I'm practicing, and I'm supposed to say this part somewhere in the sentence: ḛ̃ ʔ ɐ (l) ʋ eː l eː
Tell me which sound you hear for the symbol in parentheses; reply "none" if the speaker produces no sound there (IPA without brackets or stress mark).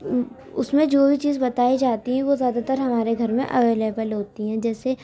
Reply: none